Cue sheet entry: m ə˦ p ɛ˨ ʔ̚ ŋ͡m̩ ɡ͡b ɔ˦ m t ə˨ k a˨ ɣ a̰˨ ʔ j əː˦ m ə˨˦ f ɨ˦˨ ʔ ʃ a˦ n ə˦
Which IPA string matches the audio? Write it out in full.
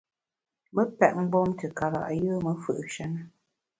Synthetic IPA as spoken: m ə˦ p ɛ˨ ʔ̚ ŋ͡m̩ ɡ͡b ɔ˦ m t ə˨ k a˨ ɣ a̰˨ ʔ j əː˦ m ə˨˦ f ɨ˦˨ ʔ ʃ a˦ n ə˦